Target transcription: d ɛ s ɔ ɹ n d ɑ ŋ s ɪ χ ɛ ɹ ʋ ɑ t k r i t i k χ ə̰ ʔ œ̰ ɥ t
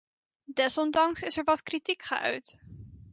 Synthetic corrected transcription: d ɛ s ɔ n d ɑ ŋ s ɪ s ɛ ɹ ʋ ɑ t k r i t i k χ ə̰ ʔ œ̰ ɥ t

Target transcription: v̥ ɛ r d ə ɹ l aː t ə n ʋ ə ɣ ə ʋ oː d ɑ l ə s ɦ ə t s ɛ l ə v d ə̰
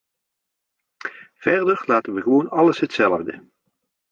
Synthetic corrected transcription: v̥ ɛ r d ə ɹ l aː t ə n ʋ ə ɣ ə ʋ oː n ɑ l ə s ɦ ə t s ɛ l ə v d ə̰

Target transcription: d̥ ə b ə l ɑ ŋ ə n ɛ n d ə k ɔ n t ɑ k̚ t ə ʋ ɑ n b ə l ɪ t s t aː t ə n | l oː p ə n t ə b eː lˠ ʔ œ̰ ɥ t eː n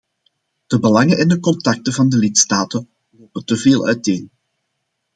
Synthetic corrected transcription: d̥ ə b ə l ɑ ŋ ə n ɛ n d ə k ɔ n t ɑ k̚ t ə v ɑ n d ə l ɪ t s t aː t ə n | l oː p ə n t ə v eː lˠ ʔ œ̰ ɥ t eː n

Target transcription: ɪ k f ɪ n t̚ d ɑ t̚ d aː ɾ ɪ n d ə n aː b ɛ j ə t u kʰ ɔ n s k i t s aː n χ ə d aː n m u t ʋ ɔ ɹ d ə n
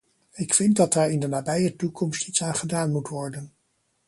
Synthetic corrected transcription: ɪ k f ɪ n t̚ d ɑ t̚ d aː ɹ ɪ n d ə n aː b ɛ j ə t u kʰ ɔ m s t i t s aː n χ ə d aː n m u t ʋ ɔ ɹ d ə n

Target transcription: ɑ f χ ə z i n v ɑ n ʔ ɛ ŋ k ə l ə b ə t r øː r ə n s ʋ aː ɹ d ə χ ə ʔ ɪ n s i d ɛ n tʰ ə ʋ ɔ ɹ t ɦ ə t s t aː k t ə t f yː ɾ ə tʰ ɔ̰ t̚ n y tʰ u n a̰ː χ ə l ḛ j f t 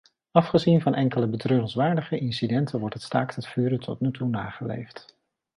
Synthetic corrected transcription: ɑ f χ ə z i n v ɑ n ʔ ɛ ŋ k ə l ə b ə t r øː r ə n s ʋ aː ɹ d ə χ ə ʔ ɪ n s i d ɛ n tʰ ə ʋ ɔ ɹ t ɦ ə t s t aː k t ə t f yː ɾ ə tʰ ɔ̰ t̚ n y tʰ u n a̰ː χ ə l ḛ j f t

